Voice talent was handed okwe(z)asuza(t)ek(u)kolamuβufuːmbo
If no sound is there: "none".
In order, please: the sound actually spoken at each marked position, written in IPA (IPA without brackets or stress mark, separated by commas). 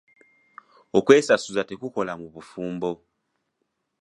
s, t, u